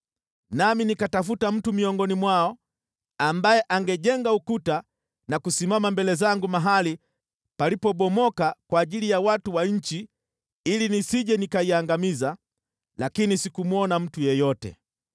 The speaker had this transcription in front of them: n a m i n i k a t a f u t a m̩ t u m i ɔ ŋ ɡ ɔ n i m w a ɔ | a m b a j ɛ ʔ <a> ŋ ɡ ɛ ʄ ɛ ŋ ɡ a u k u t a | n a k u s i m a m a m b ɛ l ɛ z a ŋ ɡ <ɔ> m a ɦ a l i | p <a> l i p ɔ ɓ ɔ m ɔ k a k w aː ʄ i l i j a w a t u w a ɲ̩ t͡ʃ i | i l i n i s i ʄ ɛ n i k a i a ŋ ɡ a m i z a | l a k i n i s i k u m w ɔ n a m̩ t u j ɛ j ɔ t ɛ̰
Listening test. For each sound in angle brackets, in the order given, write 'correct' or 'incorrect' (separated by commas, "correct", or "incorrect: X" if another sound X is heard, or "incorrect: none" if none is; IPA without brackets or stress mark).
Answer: correct, incorrect: u, correct